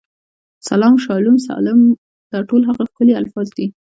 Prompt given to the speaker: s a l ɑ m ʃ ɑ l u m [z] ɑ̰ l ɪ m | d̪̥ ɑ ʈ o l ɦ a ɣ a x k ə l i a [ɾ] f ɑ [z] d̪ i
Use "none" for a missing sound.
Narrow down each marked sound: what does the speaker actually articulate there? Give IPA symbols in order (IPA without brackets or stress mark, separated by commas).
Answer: s, l, z